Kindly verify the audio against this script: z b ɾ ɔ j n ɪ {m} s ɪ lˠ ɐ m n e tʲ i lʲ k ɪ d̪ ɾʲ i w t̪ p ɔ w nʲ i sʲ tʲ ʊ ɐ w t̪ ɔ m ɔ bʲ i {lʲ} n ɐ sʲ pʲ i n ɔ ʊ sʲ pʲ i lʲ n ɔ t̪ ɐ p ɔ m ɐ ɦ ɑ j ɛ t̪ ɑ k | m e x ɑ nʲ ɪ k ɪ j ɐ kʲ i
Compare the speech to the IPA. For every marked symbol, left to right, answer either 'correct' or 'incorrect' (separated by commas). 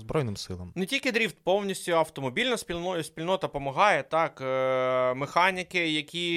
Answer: correct, correct